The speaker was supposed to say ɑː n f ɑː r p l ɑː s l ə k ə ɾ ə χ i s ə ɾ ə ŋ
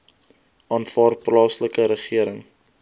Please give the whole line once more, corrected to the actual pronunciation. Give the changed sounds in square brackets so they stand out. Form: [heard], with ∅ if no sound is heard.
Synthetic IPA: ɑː n f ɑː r p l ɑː s l ə k ə ɾ ə χ i [∅] ə ɾ ə ŋ